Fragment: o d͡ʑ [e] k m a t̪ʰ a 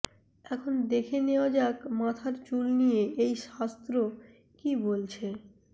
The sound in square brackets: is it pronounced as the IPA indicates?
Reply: no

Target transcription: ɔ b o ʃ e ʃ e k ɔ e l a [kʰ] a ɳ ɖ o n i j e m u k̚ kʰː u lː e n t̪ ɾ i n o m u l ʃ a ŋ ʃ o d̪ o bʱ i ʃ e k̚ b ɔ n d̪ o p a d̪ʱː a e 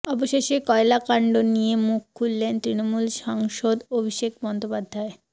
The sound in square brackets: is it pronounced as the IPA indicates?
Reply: no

